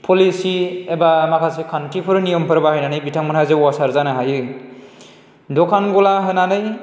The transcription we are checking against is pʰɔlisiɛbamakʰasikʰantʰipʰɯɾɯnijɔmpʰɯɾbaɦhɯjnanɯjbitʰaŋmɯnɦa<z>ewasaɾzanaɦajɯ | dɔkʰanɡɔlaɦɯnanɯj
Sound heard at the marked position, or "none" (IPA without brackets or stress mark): z